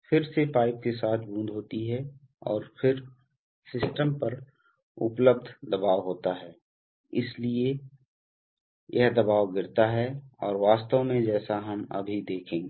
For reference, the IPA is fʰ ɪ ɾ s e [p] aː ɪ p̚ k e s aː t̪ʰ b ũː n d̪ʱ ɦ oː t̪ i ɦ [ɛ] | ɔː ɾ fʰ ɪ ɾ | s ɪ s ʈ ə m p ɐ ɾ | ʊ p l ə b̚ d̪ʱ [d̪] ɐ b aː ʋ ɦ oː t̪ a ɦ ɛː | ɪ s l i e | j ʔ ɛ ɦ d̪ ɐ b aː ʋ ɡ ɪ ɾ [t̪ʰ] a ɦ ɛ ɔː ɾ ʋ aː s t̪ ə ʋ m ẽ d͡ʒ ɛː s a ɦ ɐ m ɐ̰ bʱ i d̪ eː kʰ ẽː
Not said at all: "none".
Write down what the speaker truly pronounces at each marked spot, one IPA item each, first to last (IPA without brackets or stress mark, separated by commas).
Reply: p, ɛ, d̪, t̪